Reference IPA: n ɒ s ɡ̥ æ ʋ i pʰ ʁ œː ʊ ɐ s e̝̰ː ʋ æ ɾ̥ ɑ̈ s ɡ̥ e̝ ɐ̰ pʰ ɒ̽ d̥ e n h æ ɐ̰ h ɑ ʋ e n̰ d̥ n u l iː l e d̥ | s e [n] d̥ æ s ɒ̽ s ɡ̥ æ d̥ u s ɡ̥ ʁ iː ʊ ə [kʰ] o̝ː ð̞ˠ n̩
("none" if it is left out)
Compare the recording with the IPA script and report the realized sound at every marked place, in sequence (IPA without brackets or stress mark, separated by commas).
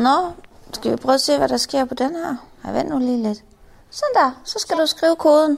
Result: n, kʰ